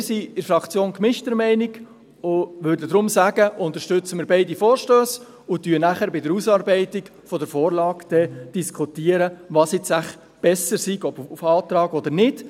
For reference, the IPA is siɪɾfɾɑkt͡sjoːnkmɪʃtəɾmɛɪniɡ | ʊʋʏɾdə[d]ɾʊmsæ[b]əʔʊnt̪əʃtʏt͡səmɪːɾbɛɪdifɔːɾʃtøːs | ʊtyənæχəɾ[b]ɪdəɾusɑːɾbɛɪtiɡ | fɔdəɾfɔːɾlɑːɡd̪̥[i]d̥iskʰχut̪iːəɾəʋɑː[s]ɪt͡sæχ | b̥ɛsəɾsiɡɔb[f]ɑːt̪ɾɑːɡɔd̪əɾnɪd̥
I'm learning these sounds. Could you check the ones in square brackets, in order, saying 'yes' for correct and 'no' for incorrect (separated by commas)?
yes, no, yes, no, yes, yes